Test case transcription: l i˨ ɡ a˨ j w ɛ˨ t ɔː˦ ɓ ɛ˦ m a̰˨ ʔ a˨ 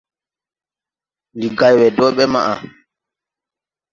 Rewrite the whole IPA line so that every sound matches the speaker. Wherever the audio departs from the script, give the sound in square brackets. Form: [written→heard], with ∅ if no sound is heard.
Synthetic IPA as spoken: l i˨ ɡ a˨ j w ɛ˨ [t→d] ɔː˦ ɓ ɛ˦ m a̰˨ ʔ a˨